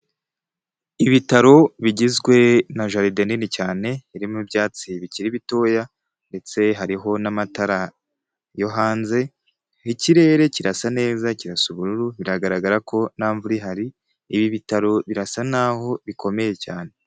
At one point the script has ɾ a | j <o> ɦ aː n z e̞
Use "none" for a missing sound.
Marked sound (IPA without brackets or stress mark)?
o